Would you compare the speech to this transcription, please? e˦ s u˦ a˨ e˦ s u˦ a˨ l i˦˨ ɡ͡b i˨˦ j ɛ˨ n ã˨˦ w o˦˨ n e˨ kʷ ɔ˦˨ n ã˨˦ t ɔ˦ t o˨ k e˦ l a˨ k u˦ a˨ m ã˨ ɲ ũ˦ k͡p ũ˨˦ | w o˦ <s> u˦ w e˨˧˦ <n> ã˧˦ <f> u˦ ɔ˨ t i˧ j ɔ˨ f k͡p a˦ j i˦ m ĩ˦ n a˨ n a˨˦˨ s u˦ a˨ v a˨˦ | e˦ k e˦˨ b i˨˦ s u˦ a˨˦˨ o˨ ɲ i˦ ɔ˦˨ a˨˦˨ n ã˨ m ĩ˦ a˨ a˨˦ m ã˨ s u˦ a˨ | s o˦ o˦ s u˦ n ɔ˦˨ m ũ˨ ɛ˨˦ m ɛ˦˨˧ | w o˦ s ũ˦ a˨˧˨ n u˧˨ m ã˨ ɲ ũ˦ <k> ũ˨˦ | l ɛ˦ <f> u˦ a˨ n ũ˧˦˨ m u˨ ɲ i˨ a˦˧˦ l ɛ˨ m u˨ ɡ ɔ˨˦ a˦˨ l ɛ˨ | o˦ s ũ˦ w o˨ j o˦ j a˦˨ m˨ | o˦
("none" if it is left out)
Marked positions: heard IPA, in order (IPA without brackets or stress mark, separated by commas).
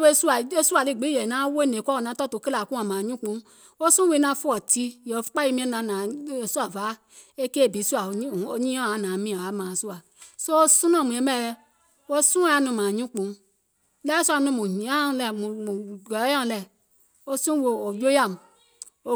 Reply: s, n, f, k͡p, s